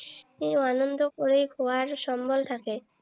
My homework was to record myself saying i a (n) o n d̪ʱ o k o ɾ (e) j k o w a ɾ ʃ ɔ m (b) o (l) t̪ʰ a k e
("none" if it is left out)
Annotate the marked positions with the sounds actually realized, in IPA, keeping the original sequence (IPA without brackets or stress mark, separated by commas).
n, e, b, l